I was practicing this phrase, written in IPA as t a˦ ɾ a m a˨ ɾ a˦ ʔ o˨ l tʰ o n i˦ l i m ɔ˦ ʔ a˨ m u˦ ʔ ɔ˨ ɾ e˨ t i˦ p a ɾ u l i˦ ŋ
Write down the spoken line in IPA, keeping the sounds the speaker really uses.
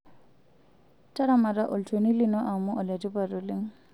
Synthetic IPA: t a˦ ɾ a m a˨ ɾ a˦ ʔ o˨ l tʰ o n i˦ l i n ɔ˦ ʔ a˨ m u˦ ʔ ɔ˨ l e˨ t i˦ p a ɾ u l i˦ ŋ